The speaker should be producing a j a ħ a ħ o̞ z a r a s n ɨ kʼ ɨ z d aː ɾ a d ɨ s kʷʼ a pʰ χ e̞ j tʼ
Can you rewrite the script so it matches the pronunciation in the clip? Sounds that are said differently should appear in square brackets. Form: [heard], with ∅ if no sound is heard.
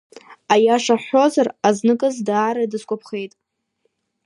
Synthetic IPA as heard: a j a [ʂ] a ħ o̞ z a r a [z] n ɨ kʼ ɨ z d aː ɾ a d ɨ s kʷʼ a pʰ χ e̞ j tʼ